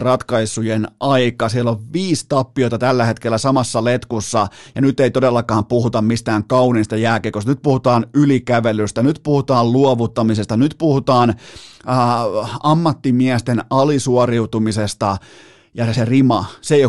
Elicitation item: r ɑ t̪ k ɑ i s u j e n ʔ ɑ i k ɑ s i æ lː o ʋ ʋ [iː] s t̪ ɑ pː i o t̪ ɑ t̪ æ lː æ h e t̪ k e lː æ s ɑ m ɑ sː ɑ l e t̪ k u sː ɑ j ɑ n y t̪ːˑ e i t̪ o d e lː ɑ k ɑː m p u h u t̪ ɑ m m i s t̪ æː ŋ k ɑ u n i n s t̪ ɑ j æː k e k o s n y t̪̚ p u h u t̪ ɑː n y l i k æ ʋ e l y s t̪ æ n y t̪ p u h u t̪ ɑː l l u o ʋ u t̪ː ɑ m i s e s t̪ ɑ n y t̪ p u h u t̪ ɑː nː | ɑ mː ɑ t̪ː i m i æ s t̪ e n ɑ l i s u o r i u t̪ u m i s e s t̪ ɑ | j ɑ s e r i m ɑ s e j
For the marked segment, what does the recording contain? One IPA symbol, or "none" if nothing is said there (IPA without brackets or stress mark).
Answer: iː